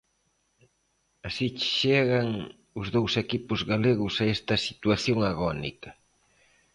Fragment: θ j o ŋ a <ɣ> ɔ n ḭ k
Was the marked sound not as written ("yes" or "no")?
no